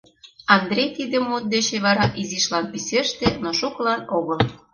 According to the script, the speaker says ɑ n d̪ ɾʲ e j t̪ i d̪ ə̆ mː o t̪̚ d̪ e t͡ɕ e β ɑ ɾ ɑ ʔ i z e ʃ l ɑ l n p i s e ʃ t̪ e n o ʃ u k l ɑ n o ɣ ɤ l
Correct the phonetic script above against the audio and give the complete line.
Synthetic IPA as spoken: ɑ n d̪ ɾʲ e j t̪ i d̪ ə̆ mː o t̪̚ d̪ e t͡ɕ e β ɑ ɾ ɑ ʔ i z i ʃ l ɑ n p i s e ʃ t̪ e n o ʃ u k l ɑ n o ɣ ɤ l